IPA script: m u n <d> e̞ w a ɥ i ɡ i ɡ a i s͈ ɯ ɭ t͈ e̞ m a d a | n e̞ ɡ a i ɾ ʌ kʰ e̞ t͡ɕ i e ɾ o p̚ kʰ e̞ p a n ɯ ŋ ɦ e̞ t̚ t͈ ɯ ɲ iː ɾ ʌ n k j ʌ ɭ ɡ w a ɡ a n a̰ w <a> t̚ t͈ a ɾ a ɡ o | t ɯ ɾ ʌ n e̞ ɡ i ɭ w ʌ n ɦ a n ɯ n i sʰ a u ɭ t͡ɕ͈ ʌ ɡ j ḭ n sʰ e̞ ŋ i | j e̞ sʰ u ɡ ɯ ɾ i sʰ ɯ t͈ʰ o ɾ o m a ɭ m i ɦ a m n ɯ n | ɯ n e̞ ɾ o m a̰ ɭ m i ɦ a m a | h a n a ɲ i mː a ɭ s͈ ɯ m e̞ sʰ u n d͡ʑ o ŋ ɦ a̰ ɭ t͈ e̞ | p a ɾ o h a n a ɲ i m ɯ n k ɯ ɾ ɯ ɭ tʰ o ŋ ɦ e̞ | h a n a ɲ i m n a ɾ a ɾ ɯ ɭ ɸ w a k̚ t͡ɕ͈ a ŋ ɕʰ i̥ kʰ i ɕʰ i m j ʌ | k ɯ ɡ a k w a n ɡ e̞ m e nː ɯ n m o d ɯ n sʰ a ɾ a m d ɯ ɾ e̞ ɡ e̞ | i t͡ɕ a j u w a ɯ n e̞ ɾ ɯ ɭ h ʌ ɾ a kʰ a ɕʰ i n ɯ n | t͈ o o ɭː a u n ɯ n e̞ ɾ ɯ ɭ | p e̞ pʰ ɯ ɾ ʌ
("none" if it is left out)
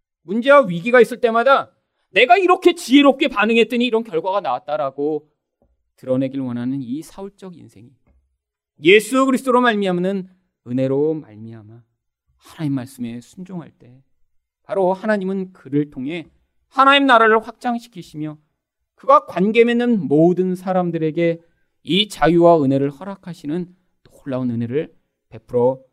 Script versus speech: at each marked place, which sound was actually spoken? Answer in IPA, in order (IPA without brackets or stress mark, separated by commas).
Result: d͡ʑ, a